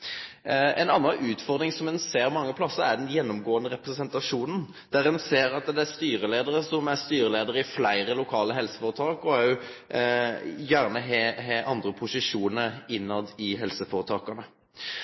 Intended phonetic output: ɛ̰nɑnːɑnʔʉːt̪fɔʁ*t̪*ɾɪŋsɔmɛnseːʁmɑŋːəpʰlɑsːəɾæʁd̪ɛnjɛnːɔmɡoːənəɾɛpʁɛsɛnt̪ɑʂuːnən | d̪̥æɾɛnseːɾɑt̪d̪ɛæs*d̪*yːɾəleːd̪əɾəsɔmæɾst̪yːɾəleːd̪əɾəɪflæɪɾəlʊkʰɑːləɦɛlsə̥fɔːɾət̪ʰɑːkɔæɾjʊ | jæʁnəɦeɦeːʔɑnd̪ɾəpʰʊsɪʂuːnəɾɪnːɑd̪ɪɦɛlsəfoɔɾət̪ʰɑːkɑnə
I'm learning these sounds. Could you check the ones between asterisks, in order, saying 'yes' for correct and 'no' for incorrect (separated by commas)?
no, no